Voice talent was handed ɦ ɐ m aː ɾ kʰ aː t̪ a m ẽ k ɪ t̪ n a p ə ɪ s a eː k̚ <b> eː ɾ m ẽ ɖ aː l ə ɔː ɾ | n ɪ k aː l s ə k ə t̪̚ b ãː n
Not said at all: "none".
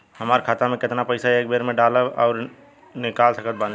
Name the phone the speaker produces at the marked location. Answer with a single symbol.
b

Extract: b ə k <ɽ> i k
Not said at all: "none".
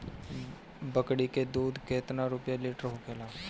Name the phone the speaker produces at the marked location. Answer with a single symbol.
ɽ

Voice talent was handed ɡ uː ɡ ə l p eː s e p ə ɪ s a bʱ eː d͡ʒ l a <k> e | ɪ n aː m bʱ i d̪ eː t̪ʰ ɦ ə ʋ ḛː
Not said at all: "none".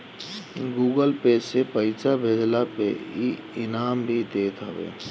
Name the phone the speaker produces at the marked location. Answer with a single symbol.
p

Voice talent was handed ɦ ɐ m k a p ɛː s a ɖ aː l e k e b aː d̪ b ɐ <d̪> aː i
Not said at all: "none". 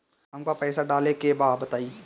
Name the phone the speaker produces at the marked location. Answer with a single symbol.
t̪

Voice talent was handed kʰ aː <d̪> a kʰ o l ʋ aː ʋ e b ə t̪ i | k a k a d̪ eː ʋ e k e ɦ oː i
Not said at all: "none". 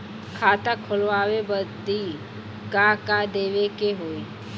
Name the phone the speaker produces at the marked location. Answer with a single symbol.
t̪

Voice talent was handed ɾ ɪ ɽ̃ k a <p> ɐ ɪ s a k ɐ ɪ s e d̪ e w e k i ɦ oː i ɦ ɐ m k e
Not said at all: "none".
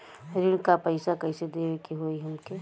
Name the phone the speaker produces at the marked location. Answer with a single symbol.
p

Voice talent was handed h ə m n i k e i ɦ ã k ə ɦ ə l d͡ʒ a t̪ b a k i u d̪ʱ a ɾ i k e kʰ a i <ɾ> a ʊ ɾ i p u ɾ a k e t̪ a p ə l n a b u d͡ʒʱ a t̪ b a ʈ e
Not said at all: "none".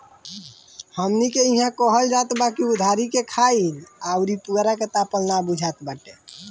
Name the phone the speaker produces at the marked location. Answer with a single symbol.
l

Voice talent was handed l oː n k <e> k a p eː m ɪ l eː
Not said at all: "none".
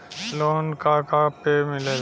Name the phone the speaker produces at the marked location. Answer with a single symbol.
a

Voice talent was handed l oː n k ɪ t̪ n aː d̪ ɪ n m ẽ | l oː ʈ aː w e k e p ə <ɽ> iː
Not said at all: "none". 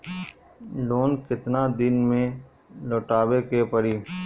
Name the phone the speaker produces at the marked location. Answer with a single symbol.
ɾ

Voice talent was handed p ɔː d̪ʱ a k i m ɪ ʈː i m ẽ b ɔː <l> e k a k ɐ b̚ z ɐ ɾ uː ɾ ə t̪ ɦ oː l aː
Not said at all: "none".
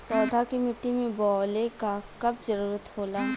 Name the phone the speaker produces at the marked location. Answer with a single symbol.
l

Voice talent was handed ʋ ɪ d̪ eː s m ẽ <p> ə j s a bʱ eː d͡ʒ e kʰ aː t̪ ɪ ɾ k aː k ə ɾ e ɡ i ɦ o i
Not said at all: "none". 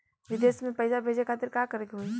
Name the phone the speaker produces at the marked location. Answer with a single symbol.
p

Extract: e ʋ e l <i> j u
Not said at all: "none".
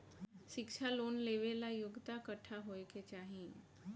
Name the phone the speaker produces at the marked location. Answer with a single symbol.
a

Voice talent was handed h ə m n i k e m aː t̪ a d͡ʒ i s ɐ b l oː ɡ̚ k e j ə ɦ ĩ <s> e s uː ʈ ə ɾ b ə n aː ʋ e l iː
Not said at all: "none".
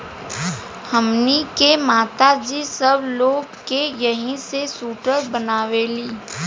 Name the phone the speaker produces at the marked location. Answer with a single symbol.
s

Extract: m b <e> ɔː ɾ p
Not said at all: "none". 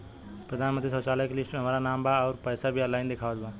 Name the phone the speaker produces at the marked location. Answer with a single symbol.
a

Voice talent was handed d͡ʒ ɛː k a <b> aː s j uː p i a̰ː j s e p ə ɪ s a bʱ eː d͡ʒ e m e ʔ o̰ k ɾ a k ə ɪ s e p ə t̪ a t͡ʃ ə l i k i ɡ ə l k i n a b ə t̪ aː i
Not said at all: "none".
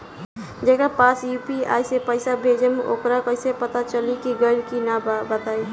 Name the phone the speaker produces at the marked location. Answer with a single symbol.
p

